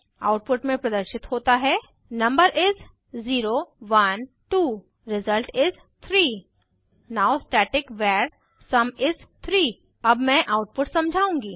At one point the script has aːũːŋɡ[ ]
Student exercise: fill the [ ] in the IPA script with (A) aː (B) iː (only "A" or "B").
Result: B